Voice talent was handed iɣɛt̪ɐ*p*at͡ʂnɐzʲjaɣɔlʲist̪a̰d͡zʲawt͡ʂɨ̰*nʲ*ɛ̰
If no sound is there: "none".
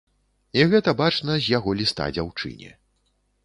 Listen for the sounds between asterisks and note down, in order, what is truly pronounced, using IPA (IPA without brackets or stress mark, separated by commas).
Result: b, nʲ